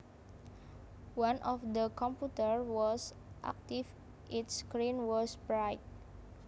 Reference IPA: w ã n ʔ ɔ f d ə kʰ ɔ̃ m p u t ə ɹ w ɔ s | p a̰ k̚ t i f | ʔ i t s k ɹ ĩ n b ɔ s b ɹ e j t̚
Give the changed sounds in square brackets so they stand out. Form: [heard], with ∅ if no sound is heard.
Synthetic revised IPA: w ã n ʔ ɔ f d ə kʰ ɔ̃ m p u t ə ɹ w ɔ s | [ʔ] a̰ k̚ t i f | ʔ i t s k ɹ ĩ n [w] ɔ s b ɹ [a] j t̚